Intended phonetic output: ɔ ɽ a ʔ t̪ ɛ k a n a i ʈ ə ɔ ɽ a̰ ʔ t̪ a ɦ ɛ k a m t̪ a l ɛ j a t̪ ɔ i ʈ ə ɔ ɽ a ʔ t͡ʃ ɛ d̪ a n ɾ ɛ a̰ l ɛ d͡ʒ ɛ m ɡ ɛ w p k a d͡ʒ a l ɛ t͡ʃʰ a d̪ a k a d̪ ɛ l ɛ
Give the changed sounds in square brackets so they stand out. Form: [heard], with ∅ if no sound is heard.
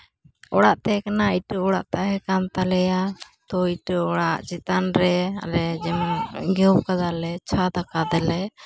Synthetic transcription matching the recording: ɔ ɽ a ʔ t̪ ɛ k a n a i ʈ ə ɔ ɽ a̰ ʔ t̪ a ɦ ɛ k a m t̪ a l ɛ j a t̪ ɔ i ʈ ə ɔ ɽ a ʔ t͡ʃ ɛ [t̪] a n ɾ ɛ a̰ l ɛ d͡ʒ ɛ m ɡ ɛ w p k a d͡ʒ a l ɛ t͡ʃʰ a d̪ a k a d̪ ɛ l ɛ